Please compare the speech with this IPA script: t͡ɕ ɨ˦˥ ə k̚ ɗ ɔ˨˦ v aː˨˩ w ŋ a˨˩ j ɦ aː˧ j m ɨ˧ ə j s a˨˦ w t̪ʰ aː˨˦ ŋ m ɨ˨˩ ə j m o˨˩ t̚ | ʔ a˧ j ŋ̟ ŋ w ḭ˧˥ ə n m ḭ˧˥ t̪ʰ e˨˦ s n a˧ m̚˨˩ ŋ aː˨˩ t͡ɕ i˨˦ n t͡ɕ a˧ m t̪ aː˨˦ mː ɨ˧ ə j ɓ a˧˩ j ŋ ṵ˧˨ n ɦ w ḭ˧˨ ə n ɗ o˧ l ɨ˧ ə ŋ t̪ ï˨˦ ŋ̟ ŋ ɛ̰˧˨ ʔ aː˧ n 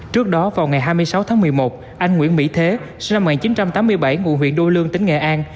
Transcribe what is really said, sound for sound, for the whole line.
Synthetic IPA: t͡ɕ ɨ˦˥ ə k̚ ɗ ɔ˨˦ v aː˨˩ w ŋ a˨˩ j ɦ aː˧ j m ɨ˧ ə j s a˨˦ w t̪ʰ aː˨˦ ŋ m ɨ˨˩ ə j m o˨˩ t̚ | ʔ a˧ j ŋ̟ ŋ w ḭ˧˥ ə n m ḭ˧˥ t̪ʰ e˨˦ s n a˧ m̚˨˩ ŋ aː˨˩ t͡ɕ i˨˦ n t͡ɕ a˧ m t̪ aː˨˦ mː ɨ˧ ə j ɓ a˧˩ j ŋ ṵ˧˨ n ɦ w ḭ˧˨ ə n ɗ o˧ l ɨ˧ ə ŋ t̪ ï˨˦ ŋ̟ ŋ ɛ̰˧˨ ʔ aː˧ n